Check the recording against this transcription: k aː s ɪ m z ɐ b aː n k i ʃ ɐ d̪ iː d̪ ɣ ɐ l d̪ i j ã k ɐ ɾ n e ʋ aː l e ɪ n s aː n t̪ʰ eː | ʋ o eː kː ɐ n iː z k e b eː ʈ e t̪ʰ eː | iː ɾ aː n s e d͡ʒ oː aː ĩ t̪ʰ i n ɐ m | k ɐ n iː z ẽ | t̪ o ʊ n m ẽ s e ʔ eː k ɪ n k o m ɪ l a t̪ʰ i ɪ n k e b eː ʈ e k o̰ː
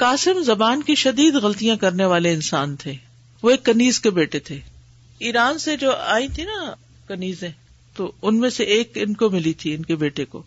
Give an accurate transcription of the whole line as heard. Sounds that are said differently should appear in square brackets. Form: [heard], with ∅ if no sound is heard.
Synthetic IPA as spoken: k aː s ɪ m z ɐ b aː n k i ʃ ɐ d̪ iː d̪ ɣ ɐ l [t̪] i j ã k ɐ ɾ n e ʋ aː l e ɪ n s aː n t̪ʰ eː | ʋ o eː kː ɐ n iː z k e b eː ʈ e t̪ʰ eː | iː ɾ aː n s e d͡ʒ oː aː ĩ t̪ʰ i n ɐ [∅] | k ɐ n iː z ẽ | t̪ o ʊ n m ẽ s e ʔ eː k ɪ n k o m ɪ l [i] t̪ʰ i ɪ n k e b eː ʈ e k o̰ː